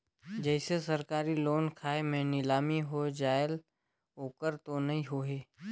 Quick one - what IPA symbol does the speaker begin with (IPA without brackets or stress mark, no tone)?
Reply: d͡ʒ